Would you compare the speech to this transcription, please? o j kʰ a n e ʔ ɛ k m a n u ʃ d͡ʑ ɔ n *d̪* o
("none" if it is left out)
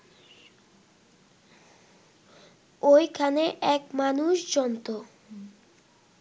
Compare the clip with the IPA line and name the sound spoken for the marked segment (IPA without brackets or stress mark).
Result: t̪